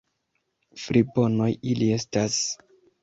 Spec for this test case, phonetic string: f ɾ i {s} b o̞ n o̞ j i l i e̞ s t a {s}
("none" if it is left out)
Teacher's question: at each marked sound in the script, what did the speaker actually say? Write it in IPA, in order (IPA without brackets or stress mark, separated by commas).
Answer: none, s